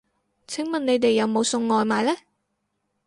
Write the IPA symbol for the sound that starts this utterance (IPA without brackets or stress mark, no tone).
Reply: t͡sʰ